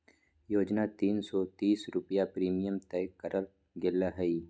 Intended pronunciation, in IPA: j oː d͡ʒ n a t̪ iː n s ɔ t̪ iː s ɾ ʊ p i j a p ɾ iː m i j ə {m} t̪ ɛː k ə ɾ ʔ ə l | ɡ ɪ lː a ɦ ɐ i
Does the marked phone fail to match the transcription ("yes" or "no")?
no